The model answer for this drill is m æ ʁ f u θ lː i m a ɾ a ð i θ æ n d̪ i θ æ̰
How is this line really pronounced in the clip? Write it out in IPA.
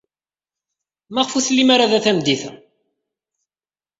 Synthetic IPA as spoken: m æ ʁ f u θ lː i m a ɾ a ð æ θ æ m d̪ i θ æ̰

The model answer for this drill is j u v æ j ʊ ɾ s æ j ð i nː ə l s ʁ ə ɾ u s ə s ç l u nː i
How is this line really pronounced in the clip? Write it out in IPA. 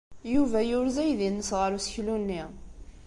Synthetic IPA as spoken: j u v æ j ʊ ɾ z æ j ð i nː ə s ʁ ə ɾ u s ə ç l u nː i

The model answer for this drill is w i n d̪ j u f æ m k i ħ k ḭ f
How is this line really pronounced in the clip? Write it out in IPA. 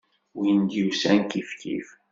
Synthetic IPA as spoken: w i n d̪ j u s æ n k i f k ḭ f

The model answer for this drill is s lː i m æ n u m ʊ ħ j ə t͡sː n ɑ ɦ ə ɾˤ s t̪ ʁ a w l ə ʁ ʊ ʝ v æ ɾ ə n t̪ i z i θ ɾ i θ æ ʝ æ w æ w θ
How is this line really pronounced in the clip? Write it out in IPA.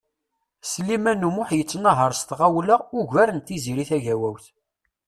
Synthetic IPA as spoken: s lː i m æ n u m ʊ ħ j ə t͡sː n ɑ ɦ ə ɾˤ s t̪ ʁ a w l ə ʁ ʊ ʝ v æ ɾ ə n t̪ i z i ɾ i θ æ ʝ æ w æ w θ

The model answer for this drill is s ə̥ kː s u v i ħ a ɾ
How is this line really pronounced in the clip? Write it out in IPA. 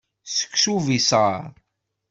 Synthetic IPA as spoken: s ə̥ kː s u v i s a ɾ

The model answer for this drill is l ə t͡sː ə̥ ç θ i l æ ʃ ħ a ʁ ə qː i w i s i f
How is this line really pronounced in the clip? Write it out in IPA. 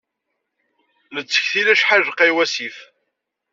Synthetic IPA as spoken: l ə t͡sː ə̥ ç θ i l æ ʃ ħ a ʒ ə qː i w æ s i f

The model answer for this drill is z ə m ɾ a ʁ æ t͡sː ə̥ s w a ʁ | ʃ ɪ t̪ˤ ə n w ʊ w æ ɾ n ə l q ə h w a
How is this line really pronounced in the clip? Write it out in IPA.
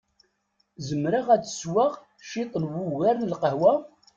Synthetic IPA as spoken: z ə m ɾ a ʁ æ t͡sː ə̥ s w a ʁ | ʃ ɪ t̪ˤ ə n w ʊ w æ ɾ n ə l q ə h w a

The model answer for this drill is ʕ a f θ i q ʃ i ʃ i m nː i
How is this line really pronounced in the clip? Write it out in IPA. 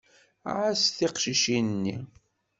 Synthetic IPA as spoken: ʕ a s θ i q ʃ i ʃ i n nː i

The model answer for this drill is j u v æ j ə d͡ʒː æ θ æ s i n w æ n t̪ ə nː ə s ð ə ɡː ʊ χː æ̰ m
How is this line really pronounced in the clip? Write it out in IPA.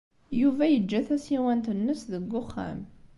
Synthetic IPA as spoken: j u v æ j ə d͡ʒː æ θ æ s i w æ n t̪ ə nː ə s ð ə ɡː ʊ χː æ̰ m

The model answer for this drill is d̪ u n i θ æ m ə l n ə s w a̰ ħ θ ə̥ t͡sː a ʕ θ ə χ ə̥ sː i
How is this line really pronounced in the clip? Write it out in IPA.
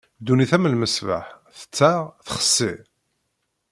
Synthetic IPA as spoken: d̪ u n i θ æ m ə l m ə s v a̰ ħ θ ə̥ t͡sː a ʁ θ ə χ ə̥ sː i

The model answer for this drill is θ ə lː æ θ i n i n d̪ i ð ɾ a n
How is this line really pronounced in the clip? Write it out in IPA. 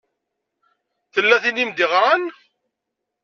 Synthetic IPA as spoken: θ ə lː æ θ i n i m d̪ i ʁ ɾ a n

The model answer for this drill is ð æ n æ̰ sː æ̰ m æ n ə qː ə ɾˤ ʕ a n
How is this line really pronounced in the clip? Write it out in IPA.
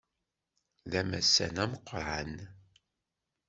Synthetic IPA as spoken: ð æ m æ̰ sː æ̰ n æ m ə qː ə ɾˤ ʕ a n

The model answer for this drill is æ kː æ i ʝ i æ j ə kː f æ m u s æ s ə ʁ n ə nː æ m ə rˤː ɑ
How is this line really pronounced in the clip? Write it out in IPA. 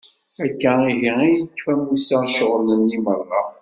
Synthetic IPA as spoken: æ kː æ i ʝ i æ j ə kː f æ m u s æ ʃ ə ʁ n ə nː i m ə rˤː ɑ

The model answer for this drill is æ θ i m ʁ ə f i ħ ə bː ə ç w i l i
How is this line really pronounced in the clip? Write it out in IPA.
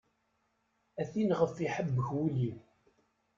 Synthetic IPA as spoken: æ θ i n ʁ ə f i ħ ə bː ə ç w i l i

